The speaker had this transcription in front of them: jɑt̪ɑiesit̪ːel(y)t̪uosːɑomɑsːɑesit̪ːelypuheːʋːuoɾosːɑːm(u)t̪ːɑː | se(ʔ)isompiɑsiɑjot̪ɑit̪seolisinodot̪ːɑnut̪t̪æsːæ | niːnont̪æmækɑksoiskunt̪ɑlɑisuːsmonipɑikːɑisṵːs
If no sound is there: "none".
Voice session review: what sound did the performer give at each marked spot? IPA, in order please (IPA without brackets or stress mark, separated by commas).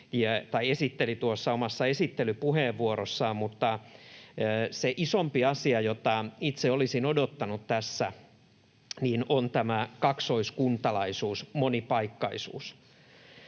i, u, ʔ